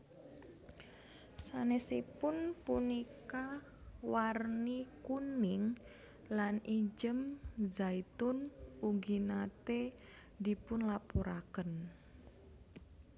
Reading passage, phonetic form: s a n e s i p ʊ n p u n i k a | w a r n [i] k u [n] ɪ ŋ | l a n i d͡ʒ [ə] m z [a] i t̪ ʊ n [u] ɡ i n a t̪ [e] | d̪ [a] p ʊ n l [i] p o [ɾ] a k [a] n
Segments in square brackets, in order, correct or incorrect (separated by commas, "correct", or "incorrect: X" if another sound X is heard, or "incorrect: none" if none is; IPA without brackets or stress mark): correct, correct, correct, correct, correct, correct, incorrect: i, incorrect: a, correct, incorrect: ə